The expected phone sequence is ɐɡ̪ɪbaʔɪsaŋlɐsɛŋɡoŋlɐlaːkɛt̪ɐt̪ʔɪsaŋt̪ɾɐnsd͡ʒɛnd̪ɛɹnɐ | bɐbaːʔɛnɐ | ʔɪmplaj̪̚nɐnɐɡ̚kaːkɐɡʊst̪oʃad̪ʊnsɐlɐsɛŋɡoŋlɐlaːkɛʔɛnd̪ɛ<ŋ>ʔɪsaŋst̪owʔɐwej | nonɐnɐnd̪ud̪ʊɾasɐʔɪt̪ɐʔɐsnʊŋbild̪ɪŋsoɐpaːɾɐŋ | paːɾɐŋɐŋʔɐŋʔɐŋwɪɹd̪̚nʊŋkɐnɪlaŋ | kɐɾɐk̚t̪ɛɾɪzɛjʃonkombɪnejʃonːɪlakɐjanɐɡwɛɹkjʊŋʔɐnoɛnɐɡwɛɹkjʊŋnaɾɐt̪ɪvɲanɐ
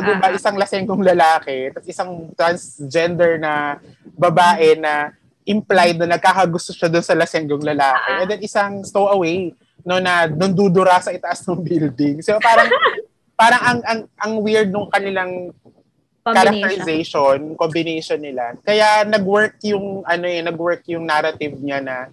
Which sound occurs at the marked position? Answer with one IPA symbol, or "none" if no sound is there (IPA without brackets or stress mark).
n